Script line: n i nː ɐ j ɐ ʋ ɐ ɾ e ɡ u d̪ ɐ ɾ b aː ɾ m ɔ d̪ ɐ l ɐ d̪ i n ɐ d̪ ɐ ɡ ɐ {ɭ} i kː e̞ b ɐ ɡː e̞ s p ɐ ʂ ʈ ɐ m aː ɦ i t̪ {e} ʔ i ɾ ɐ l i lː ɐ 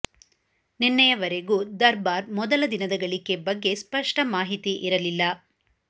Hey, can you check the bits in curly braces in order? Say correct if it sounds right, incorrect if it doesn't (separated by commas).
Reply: correct, incorrect